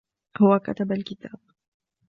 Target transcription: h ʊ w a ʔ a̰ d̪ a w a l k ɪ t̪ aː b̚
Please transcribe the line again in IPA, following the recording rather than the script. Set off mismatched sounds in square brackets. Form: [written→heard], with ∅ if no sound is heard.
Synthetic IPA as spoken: h ʊ w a [ʔ→k] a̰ [d̪→t̪] a [w→b] a l k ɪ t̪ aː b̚